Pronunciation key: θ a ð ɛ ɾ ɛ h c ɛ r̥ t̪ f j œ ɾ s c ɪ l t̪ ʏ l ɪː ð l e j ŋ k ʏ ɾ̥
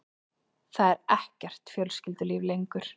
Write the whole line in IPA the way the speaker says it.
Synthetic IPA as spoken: θ a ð ɛ ɾ ɛ h c ɛ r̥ t̪ f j œ l s c ɪ l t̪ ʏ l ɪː v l e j ŋ k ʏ ɾ̥